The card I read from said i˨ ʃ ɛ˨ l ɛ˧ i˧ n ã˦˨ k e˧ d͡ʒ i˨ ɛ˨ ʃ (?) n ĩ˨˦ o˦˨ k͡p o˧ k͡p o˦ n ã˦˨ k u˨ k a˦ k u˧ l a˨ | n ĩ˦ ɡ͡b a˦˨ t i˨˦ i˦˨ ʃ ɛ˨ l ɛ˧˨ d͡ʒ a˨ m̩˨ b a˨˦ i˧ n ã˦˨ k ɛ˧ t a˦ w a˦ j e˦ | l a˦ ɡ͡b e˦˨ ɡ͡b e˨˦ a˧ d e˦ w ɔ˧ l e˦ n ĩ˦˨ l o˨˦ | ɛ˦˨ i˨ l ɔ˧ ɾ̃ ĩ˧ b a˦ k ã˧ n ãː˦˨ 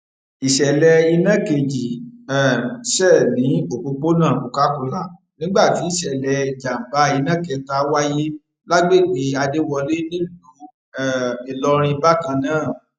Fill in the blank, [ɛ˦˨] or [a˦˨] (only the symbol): ɛ˦˨